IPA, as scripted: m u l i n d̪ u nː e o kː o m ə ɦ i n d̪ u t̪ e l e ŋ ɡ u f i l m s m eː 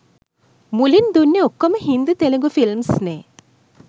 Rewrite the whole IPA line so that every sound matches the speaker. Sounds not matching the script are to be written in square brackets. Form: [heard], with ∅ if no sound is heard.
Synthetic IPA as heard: m u l i n d̪ u nː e o kː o m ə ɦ i n d̪ u t̪ e l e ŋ ɡ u f i l m s [n] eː